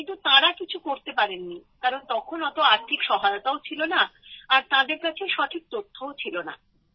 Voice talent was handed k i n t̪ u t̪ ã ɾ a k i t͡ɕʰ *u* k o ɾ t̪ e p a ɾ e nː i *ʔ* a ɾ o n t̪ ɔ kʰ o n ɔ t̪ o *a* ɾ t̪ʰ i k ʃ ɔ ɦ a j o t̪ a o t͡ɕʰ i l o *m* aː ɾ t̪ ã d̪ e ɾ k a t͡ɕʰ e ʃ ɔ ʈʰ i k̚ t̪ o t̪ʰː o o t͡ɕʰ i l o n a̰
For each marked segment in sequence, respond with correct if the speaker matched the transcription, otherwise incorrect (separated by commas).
correct, incorrect, correct, incorrect